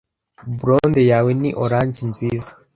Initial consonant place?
labial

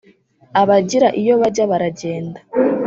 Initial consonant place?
labial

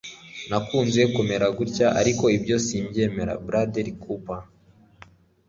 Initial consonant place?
alveolar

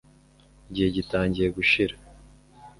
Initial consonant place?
palatal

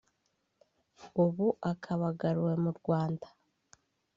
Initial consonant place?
labial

